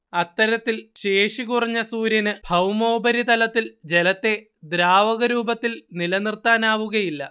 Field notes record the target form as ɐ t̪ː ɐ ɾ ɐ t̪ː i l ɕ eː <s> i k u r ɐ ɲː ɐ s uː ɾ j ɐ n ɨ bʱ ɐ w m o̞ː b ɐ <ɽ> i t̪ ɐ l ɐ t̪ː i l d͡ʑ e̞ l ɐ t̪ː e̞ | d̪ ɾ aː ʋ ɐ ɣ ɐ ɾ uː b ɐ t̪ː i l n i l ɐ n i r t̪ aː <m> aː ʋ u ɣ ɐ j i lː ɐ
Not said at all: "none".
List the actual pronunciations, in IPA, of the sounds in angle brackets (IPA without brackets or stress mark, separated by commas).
ʂ, ɾ, n